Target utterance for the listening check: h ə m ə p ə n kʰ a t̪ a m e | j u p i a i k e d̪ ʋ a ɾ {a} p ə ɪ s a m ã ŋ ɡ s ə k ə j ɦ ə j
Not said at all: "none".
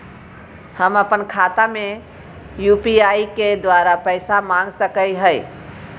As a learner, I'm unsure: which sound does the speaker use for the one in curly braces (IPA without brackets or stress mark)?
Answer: a